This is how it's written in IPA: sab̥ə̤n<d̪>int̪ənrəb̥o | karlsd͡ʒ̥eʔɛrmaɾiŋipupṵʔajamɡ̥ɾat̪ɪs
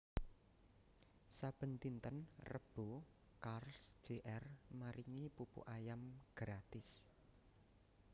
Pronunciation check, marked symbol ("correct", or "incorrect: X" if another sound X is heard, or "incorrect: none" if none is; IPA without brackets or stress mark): incorrect: t̪